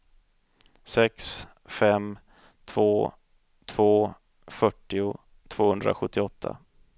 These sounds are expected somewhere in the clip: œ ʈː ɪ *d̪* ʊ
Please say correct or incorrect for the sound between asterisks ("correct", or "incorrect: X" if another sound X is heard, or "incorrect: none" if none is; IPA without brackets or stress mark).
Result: incorrect: none